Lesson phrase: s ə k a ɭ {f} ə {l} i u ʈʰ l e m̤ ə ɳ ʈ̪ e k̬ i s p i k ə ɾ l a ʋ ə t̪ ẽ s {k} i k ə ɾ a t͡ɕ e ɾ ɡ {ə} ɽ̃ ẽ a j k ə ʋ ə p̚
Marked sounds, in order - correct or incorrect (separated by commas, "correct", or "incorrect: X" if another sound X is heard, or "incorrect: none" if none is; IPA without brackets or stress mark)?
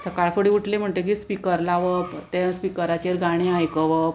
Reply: correct, incorrect: ɽ, incorrect: p, incorrect: a